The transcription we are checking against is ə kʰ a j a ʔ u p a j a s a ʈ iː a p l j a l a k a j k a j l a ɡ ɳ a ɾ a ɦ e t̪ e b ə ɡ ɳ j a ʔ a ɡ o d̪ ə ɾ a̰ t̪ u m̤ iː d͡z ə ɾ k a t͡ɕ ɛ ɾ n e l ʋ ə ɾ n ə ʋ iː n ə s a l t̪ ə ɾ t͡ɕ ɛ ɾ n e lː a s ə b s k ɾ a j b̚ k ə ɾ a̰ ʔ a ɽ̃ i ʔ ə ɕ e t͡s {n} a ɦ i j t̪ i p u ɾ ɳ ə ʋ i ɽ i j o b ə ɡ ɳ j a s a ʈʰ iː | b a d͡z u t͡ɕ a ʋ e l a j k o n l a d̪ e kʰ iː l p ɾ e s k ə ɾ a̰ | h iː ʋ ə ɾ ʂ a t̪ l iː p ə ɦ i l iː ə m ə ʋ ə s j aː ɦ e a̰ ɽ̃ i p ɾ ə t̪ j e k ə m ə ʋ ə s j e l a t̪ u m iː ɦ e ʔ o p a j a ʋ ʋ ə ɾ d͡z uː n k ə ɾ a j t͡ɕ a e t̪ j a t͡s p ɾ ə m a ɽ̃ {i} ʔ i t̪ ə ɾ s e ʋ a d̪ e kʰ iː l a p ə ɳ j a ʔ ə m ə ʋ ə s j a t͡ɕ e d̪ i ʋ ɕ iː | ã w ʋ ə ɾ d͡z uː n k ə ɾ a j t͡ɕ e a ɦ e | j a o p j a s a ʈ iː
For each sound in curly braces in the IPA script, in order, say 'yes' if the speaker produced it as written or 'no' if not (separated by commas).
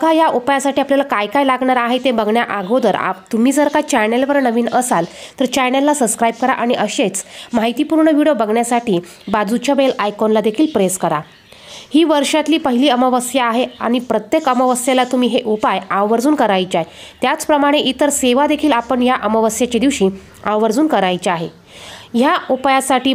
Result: no, no